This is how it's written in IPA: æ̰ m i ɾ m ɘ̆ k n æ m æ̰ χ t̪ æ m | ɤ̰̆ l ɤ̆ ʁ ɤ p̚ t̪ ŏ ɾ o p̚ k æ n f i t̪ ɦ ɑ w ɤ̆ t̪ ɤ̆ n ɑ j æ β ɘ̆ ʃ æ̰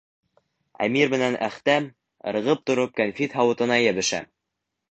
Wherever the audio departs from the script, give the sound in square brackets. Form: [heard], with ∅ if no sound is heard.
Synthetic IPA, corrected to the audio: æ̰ m i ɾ m ɘ̆ [∅] n æ [n] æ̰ χ t̪ æ m | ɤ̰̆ [ɾ] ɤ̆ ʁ ɤ p̚ t̪ ŏ ɾ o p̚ k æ n f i t̪ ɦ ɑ w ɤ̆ t̪ ɤ̆ n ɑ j æ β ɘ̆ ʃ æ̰